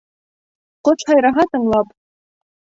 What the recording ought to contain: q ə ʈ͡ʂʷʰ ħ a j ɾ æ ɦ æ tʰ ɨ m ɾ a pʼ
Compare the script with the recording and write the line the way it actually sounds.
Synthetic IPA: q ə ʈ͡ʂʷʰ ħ a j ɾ a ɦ a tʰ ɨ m l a pʼ